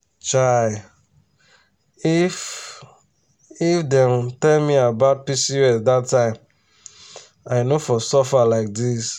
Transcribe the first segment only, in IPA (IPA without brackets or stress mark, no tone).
t͡ʃ